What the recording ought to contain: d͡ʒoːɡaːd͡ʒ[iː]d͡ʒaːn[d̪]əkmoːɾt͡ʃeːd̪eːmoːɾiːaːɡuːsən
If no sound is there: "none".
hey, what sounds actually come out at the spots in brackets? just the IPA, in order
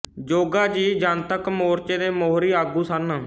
iː, t̪

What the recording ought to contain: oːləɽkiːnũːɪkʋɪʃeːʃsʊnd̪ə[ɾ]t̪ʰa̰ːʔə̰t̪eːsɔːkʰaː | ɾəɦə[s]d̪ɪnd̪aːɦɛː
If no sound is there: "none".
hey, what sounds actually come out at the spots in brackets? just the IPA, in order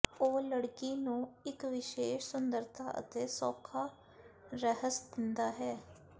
ɾ, s

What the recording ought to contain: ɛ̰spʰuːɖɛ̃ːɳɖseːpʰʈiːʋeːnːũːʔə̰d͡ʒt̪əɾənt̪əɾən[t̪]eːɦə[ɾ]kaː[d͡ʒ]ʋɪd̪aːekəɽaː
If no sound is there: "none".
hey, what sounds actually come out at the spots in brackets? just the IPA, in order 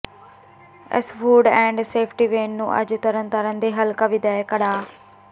d̪, l, none

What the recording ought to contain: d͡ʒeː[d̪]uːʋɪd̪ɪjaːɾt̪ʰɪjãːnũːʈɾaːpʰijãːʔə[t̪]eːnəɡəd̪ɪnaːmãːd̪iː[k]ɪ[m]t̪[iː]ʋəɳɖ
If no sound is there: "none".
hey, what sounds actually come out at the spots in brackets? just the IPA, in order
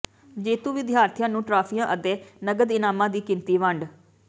t̪, d̪, k, n, iː

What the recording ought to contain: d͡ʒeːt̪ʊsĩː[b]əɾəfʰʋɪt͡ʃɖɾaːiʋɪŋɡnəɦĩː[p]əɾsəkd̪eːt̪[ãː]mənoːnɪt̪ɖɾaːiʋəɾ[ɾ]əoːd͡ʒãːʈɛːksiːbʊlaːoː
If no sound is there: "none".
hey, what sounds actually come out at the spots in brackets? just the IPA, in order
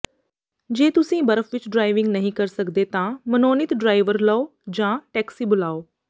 b, k, ãː, l

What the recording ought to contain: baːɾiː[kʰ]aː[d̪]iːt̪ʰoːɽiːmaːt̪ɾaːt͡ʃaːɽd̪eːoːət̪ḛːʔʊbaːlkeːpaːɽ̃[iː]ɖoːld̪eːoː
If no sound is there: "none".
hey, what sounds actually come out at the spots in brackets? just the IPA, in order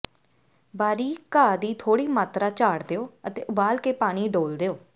k, d̪, iː

